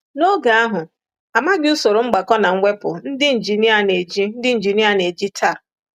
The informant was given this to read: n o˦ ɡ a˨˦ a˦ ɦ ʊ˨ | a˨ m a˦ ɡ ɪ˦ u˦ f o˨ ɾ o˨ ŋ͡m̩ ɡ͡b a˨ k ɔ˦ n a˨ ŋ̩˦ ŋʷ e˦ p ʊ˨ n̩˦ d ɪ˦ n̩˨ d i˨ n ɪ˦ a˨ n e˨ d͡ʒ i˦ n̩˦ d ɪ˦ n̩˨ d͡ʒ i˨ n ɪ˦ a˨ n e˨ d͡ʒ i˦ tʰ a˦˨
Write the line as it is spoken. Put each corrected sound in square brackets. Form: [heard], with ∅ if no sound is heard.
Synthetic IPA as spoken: n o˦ ɡ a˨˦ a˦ ɦ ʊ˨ | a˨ m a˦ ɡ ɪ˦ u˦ [s] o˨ ɾ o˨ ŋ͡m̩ ɡ͡b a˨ k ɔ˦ n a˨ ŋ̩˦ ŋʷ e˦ p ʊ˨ n̩˦ d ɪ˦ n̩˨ [d͡ʒ] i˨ n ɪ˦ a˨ n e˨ d͡ʒ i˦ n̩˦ d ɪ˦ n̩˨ d͡ʒ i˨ n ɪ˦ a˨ n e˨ d͡ʒ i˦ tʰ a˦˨